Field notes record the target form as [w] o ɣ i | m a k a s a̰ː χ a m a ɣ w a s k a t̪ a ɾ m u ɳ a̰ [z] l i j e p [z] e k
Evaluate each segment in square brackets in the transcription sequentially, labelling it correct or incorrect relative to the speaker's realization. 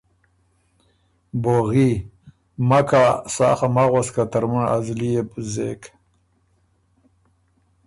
incorrect: b, correct, correct

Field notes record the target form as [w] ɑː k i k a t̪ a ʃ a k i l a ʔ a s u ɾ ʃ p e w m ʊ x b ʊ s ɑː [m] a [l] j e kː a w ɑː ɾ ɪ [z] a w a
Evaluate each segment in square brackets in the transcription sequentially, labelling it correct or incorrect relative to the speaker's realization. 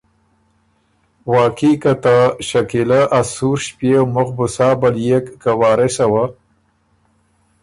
correct, incorrect: b, correct, incorrect: s

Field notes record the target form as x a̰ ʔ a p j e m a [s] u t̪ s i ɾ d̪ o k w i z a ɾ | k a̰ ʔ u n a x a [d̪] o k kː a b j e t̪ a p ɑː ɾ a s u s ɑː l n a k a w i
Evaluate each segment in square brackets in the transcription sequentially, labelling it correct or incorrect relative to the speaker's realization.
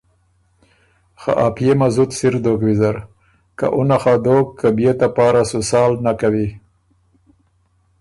incorrect: z, correct

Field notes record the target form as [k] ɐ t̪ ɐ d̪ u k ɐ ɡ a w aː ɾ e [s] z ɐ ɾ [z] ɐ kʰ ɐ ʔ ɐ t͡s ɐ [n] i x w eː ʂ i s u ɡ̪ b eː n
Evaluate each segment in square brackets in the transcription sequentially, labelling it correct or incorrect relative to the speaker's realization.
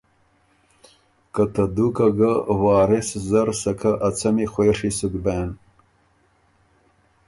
correct, correct, incorrect: s, incorrect: m

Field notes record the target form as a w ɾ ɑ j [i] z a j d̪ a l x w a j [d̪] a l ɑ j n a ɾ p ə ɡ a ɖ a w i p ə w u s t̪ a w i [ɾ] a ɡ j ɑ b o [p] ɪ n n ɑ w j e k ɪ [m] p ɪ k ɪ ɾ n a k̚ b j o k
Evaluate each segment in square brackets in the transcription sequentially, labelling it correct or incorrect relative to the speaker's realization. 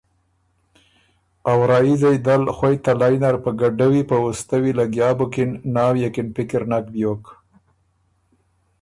correct, incorrect: t̪, incorrect: l, incorrect: k, incorrect: n

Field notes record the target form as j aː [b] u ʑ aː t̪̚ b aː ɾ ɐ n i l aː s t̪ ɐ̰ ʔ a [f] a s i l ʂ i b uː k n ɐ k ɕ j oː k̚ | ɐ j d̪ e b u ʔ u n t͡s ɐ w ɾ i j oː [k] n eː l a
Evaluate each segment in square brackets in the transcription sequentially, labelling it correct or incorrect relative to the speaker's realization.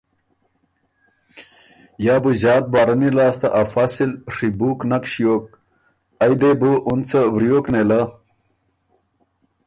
correct, correct, correct

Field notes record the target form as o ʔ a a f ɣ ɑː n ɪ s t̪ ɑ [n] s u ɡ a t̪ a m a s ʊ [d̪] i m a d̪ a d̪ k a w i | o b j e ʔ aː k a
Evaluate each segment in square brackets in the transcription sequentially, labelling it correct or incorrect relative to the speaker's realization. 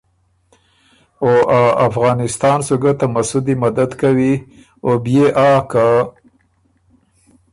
correct, correct

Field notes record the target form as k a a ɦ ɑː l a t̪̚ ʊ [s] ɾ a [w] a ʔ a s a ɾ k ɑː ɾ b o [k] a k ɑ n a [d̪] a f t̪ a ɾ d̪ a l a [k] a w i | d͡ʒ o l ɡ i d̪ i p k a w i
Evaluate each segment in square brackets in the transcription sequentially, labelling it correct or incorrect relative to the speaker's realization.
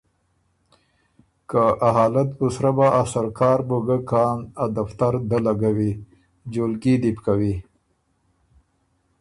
correct, incorrect: b, incorrect: ɡ, correct, incorrect: ɡ

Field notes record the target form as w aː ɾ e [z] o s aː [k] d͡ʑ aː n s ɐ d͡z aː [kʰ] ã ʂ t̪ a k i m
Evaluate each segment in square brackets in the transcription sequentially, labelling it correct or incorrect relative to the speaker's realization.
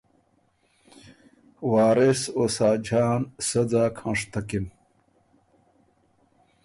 incorrect: s, incorrect: none, correct

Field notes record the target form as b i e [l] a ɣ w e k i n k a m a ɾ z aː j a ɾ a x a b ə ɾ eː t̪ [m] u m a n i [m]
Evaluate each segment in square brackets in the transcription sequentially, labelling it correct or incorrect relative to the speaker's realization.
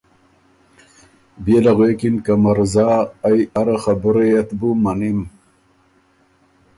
correct, incorrect: b, correct

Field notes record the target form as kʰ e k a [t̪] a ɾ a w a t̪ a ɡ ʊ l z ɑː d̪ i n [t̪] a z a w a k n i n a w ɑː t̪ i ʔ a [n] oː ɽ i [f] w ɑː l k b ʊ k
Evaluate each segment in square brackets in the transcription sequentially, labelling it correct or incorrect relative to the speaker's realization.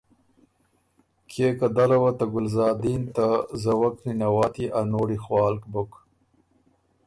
incorrect: d̪, correct, correct, incorrect: x

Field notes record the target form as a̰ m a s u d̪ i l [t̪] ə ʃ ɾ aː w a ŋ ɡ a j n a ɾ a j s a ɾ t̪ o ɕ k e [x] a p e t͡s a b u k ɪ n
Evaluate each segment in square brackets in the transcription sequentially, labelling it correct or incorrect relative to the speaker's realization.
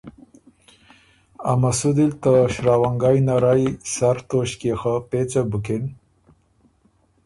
correct, correct

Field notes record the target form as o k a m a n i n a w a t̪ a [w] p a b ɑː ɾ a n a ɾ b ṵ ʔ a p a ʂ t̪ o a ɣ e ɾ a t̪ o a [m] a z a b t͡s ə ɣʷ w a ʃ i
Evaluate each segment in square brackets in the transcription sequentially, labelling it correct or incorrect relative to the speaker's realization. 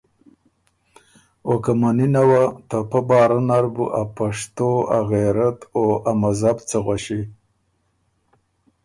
incorrect: none, correct

